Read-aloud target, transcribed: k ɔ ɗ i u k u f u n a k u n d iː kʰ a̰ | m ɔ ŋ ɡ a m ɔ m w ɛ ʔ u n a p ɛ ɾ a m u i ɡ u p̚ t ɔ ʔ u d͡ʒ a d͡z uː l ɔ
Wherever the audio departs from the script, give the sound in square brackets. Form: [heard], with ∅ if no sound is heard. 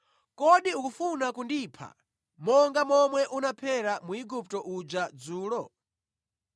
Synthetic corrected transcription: k ɔ ɗ i u k u f u n a k u n d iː [pʰ] a̰ | m ɔ ŋ ɡ a m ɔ m w ɛ ʔ u n a [pʰ] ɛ ɾ a m u i ɡ u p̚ t ɔ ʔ u d͡ʒ a d͡z uː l ɔ